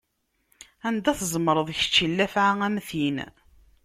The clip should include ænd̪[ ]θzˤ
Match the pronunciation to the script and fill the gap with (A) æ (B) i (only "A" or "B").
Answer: A